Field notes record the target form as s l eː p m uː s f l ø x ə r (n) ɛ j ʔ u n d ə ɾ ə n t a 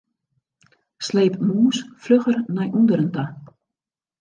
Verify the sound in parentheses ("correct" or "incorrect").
correct